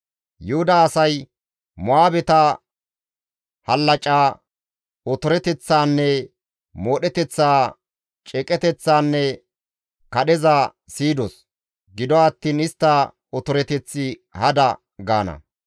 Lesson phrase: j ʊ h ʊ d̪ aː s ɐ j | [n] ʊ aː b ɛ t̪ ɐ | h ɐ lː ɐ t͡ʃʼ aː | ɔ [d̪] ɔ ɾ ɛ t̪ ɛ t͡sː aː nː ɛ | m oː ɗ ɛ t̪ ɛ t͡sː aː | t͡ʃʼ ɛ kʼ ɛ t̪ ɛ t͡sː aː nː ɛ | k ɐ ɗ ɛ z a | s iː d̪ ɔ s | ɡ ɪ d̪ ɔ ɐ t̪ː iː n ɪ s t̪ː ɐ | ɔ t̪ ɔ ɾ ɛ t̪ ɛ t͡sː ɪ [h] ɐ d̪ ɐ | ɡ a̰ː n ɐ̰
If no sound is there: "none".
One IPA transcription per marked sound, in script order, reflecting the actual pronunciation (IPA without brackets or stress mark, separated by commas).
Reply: m, t̪, h